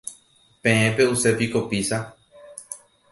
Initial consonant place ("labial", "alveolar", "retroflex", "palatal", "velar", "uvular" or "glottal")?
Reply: labial